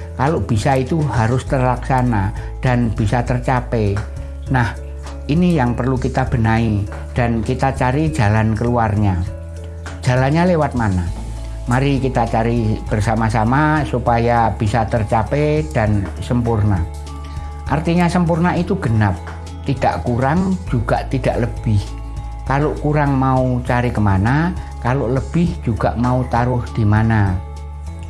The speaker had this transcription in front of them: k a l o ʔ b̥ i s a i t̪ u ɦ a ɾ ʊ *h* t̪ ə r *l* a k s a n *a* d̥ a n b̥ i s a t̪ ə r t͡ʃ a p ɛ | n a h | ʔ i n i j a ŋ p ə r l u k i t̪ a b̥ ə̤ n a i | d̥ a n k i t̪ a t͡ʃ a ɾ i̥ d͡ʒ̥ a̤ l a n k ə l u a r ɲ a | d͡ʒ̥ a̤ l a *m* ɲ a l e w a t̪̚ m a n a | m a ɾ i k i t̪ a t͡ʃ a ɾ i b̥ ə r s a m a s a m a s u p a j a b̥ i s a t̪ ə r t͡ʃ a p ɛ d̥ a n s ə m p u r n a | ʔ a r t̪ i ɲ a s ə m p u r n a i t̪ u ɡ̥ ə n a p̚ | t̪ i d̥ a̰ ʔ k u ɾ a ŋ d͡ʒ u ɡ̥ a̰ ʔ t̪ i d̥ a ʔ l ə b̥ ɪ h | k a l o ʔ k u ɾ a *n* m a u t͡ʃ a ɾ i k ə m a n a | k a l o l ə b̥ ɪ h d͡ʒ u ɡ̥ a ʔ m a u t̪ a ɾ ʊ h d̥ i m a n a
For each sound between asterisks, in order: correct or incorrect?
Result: incorrect, correct, correct, incorrect, incorrect

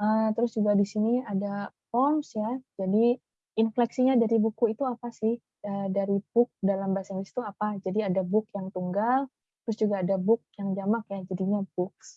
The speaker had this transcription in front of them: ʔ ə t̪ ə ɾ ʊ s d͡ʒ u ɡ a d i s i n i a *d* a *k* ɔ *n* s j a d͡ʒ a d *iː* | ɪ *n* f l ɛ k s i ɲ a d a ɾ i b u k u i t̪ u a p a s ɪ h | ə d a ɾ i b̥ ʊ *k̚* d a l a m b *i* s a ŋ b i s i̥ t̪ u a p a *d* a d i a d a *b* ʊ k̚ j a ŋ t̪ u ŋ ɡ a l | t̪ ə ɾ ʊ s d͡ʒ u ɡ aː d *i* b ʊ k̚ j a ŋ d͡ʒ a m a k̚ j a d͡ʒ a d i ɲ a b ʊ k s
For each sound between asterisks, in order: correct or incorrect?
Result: correct, incorrect, incorrect, incorrect, correct, correct, incorrect, incorrect, correct, incorrect

